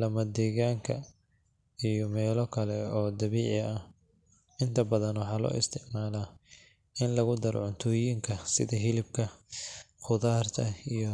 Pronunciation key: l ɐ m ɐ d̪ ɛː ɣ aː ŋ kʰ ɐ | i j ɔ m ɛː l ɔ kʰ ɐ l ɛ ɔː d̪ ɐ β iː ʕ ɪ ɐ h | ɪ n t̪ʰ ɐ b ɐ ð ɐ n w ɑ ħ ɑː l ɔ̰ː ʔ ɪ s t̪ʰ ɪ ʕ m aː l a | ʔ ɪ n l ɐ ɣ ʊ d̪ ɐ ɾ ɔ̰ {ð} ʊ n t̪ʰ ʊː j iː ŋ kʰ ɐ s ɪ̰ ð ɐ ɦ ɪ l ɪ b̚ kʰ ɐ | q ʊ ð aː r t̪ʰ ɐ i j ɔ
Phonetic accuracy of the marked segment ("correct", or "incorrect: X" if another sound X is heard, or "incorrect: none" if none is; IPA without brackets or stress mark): incorrect: ʕ